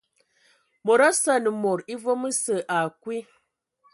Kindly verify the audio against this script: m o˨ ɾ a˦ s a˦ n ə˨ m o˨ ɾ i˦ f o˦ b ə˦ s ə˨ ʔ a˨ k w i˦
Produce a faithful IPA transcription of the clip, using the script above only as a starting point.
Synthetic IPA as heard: m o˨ ɾ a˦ s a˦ n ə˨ m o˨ ɾ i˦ v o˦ m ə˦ s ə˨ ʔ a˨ k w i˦